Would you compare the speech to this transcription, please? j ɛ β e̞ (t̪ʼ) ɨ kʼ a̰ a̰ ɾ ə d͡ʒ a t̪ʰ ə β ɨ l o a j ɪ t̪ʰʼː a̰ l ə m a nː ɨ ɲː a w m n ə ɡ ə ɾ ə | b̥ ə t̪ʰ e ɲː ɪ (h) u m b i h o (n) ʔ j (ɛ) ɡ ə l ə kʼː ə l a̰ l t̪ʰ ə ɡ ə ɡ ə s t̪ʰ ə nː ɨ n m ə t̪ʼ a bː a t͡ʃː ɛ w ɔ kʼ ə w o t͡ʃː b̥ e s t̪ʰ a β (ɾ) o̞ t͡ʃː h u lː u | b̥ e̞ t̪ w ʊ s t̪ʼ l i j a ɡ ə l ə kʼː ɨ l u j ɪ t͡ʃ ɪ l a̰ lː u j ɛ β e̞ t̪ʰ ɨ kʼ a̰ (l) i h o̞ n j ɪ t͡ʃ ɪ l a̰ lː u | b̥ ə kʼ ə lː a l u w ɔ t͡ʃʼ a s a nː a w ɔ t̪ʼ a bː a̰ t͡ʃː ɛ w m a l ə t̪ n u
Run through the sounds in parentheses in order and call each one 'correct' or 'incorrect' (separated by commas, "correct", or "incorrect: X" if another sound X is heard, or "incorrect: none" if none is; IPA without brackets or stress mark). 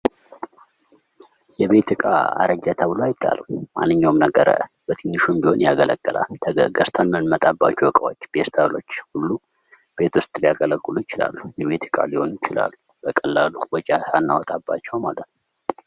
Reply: incorrect: t̪, incorrect: ʃ, correct, incorrect: a, incorrect: l, correct